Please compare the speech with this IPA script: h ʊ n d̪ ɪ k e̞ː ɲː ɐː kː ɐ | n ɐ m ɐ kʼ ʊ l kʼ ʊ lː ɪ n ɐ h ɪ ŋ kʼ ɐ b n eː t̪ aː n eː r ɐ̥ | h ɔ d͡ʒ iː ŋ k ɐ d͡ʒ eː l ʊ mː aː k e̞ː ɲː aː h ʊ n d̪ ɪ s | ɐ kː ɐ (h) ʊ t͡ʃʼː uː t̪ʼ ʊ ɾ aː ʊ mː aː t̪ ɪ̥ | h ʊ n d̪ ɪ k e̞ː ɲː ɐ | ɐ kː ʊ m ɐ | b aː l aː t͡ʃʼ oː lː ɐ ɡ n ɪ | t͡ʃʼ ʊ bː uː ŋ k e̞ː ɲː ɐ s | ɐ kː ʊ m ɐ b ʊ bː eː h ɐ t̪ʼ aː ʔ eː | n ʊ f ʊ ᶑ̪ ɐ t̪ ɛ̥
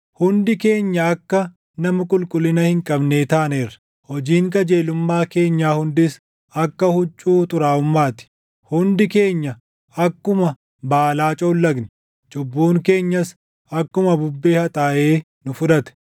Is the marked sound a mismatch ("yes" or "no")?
no